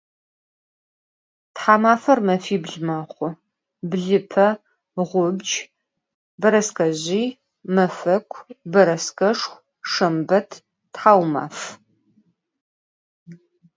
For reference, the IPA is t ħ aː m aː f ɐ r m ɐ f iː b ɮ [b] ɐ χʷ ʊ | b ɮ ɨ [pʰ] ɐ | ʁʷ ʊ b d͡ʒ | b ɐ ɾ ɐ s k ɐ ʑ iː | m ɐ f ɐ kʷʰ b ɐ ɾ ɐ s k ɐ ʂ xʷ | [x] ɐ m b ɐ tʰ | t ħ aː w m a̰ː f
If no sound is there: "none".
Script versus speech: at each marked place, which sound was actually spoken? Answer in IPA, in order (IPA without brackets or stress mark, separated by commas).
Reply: m, pʰ, ʂ